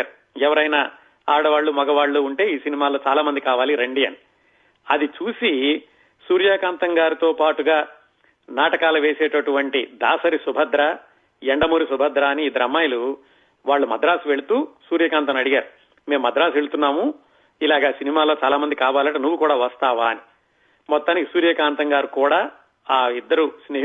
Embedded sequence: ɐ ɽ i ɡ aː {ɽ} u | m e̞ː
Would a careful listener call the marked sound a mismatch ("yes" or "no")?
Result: yes